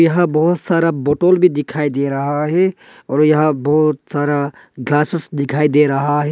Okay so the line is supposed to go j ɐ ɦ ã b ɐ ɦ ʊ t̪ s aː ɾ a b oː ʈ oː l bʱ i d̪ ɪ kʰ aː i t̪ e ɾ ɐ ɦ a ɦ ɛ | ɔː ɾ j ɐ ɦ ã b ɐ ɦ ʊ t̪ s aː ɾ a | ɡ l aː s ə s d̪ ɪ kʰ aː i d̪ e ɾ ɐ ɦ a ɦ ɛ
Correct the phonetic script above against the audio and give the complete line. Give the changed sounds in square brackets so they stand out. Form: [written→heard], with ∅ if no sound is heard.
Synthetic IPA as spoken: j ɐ ɦ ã b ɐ ɦ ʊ t̪ s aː ɾ a b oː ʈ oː l bʱ i d̪ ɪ kʰ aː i [t̪→d̪] e ɾ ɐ ɦ a ɦ ɛ | ɔː ɾ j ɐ ɦ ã b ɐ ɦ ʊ t̪ s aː ɾ a | ɡ l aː s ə s d̪ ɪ kʰ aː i d̪ e ɾ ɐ ɦ a ɦ ɛ